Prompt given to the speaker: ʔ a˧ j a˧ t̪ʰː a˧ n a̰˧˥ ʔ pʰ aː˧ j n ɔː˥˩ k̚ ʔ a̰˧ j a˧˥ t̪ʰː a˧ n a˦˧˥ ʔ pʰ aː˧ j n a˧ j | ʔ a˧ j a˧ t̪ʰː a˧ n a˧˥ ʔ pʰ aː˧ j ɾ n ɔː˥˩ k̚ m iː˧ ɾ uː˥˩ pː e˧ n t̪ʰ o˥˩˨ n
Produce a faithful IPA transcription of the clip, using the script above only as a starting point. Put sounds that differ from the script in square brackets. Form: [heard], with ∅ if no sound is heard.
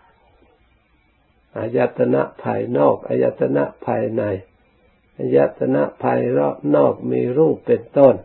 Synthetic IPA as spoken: ʔ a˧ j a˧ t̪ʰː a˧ n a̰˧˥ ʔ pʰ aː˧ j n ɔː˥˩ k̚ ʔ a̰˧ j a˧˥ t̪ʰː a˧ n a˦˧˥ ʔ pʰ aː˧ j n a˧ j | ʔ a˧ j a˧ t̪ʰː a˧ n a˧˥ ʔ pʰ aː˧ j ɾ n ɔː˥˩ k̚ m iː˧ ɾ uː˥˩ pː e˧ n [t̪] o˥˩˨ n